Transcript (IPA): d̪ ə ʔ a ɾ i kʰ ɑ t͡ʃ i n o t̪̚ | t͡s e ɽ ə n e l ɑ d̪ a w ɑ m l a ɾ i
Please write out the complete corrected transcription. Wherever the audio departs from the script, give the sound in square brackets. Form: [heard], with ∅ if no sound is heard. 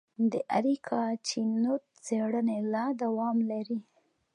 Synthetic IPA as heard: d̪ ə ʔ a ɾ i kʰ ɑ t͡ʃ i n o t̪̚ | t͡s e ɽ ə n e l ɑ d̪ a w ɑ m l a ɾ i